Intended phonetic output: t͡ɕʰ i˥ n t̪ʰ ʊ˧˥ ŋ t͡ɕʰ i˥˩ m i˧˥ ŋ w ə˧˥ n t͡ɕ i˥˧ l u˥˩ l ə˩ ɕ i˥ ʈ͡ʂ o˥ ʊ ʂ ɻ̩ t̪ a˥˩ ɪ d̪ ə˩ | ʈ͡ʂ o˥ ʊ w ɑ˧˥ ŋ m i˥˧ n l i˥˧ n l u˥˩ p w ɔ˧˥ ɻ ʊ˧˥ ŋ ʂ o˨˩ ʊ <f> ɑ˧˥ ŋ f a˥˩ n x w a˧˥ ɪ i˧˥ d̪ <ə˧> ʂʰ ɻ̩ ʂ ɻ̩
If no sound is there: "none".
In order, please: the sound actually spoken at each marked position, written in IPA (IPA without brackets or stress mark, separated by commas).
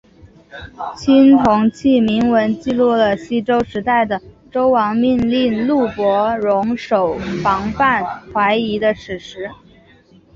f, ə˧